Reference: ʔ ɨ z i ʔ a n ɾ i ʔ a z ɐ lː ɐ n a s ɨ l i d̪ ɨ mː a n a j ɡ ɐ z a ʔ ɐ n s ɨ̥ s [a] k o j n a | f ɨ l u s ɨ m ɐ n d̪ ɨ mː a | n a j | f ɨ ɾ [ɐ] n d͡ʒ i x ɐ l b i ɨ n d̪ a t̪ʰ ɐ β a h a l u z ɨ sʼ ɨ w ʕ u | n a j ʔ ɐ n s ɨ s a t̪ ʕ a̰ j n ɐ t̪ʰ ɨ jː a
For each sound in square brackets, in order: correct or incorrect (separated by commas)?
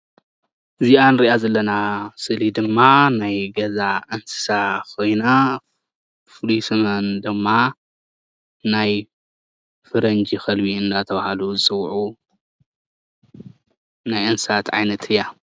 correct, correct